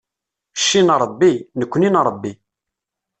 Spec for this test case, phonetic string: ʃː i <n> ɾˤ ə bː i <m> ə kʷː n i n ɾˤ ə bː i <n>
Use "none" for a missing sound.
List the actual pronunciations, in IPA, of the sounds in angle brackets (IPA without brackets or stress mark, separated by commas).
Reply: n, n, none